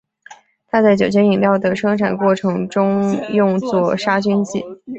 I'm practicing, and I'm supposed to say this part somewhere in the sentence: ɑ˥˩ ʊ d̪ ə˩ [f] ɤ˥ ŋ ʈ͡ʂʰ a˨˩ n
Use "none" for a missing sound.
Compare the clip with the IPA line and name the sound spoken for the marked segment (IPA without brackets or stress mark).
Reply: ʂ